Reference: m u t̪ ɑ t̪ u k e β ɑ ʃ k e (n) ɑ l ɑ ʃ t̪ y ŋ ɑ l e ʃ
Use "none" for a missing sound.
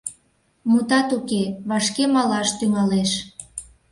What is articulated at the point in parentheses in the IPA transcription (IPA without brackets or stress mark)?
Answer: m